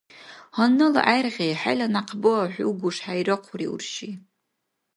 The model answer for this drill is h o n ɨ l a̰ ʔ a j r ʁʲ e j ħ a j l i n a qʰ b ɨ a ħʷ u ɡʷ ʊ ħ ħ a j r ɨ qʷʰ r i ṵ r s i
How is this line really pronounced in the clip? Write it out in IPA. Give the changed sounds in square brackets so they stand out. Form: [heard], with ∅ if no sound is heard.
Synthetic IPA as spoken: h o n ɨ l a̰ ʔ a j r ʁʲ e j ħ a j l [a] n a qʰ b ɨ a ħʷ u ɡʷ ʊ [ʂ] ħ a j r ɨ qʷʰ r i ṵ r [ʃ] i